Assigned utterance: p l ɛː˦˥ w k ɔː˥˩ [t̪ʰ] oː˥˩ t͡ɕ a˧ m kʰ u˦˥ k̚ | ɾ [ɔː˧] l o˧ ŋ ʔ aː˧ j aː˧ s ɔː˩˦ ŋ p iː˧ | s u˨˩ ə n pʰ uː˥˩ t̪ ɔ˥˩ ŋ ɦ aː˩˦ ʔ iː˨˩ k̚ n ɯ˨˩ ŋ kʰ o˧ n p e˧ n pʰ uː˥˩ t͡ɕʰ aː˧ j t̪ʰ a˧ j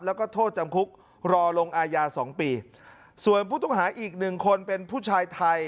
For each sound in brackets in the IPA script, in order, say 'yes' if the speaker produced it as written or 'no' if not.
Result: yes, yes

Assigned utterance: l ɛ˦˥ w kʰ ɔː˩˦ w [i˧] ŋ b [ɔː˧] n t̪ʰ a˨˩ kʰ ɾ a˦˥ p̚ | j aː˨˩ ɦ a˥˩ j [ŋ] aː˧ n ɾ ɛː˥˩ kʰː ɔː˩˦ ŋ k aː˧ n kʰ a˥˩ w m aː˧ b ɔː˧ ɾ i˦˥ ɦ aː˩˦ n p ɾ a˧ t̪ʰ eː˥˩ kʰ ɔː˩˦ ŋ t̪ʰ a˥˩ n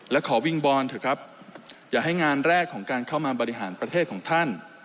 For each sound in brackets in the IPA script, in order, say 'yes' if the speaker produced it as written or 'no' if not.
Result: yes, yes, yes

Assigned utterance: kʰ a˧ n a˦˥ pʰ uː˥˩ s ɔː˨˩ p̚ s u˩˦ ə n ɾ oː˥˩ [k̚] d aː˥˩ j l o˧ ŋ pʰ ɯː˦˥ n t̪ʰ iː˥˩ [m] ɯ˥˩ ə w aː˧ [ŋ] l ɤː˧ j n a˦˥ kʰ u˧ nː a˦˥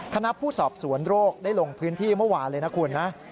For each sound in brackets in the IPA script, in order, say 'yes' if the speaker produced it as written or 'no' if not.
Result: yes, yes, no

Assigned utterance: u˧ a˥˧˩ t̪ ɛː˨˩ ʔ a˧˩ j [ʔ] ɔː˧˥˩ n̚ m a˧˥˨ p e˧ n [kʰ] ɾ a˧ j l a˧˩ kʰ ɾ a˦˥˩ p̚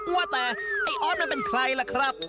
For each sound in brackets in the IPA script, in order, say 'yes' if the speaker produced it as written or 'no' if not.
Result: yes, yes

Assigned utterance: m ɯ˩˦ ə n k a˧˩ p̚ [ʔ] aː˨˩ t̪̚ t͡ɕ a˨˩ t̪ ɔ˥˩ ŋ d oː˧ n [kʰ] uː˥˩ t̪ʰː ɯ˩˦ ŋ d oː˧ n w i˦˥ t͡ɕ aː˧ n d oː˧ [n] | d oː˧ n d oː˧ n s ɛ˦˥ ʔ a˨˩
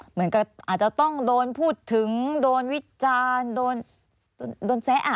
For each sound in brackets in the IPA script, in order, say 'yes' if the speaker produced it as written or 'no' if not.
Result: yes, no, yes

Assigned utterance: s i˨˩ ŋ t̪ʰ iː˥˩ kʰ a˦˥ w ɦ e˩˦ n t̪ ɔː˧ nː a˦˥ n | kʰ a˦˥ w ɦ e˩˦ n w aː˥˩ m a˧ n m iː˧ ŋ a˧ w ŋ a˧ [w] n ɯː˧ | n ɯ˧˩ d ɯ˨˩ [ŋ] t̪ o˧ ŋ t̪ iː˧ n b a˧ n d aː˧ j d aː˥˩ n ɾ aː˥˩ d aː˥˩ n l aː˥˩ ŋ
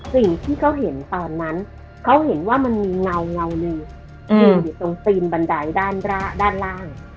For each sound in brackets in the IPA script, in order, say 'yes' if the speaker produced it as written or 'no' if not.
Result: yes, no

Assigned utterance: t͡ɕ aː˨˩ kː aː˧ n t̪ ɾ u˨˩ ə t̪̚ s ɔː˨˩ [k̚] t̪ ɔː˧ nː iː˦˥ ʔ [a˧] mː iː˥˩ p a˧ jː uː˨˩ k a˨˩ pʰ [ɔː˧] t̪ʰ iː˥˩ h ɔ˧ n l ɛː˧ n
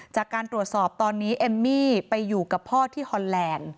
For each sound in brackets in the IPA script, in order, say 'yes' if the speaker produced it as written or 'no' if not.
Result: no, no, no

